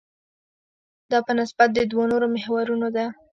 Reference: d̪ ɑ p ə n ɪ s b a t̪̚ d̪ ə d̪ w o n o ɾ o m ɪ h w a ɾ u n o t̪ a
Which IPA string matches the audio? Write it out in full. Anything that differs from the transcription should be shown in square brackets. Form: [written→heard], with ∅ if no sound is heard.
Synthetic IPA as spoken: d̪ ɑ p ə n ɪ s b a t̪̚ d̪ ə d̪ w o n o ɾ o m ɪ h w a ɾ u n o [t̪→d̪] a